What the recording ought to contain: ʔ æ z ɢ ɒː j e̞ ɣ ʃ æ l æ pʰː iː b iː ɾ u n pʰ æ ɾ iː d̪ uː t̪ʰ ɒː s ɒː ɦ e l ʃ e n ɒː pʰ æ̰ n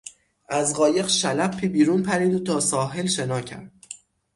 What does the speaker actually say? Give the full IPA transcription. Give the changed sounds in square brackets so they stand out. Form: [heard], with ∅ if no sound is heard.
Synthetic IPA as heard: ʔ æ z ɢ ɒː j e̞ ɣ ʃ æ l æ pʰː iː b iː ɾ u n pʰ æ ɾ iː d̪ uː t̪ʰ ɒː s ɒː ɦ e l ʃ e n ɒː [cʰ] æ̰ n